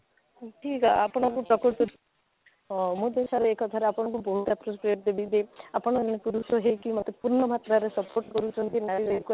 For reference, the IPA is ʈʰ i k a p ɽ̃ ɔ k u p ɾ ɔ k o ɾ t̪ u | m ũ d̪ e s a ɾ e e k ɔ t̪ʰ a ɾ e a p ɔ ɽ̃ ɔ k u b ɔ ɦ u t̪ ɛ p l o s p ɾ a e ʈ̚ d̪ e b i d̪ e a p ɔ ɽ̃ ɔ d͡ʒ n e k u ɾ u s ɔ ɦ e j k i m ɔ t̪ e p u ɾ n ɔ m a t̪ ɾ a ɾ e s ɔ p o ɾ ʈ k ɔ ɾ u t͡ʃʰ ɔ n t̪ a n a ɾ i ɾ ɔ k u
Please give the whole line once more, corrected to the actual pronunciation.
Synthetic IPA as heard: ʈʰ i k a p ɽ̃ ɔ k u p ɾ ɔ k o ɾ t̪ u | m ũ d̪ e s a ɾ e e k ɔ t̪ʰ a ɾ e a p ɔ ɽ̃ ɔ k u b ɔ ɦ u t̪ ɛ p ɾ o s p ɾ i e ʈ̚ d̪ e b i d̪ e a p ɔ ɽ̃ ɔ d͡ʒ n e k u ɾ u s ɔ ɦ e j k i m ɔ t̪ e p u ɾ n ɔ m a t̪ ɾ a ɾ e s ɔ p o ɾ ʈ k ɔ ɾ u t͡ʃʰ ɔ n t̪ i n a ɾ i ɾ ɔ k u